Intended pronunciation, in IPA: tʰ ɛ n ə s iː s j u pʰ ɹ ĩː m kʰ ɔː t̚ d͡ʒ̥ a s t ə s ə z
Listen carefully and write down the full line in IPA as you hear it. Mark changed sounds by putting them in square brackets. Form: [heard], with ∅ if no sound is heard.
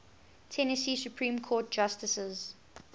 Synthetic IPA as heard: tʰ ɛ n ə s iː s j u pʰ ɹ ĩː m kʰ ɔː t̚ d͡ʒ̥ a s t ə s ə z